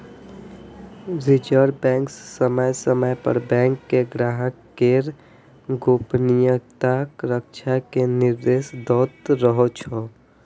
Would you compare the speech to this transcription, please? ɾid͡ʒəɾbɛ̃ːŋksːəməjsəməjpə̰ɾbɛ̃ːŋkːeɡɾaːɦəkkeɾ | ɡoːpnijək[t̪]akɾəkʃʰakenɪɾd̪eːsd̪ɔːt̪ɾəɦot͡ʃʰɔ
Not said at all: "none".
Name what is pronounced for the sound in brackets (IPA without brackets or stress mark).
t̪